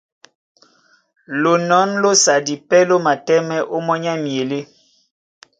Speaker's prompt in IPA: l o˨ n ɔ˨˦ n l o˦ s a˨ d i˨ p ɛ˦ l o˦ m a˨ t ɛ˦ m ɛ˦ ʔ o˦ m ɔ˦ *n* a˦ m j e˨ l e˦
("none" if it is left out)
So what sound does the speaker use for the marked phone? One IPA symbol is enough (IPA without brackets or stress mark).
ɲ